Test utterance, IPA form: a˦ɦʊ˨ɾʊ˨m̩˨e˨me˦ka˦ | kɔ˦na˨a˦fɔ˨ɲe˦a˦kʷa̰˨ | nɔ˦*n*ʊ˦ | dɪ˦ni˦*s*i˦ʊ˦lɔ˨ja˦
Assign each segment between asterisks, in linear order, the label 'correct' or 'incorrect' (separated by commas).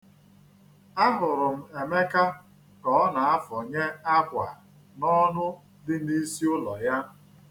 correct, correct